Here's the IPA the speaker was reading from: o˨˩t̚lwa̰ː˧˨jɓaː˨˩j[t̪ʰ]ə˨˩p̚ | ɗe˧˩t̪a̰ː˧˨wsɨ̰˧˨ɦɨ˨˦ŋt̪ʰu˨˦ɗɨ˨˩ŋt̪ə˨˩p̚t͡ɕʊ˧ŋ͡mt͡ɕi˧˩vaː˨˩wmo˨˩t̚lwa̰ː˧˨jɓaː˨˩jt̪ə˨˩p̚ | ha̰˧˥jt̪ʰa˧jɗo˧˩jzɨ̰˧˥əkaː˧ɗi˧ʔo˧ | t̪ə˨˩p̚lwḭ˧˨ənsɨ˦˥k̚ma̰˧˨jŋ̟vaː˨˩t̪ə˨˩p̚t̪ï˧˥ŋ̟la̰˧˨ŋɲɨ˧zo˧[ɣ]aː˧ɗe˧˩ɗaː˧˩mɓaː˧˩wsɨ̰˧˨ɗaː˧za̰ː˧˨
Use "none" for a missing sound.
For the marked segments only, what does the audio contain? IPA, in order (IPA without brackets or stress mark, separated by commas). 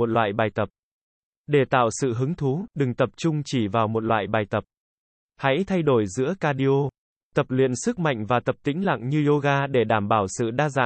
t̪, ɣ